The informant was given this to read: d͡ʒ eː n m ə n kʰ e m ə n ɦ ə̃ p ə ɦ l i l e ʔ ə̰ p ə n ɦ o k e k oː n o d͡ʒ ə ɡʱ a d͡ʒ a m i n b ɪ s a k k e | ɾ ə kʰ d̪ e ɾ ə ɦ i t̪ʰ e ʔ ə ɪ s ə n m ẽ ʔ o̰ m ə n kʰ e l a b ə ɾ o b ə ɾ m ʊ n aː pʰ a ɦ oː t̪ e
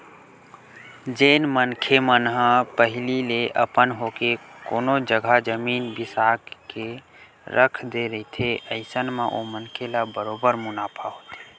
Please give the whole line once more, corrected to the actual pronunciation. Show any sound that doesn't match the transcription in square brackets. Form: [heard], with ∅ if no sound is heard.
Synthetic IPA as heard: d͡ʒ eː n m ə n kʰ e m ə n ɦ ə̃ p ə ɦ l i l e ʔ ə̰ p ə n ɦ o k e k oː n o d͡ʒ ə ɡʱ a d͡ʒ [ə] m i n b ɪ s a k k e | ɾ ə kʰ d̪ e ɾ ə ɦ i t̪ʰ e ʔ ə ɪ s ə n m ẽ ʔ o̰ m ə n kʰ e l a b ə ɾ o b ə ɾ m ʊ n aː pʰ a ɦ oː t̪ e